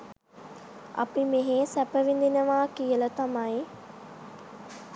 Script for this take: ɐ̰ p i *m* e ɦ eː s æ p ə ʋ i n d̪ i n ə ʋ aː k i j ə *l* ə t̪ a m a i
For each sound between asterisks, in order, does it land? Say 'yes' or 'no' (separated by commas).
yes, yes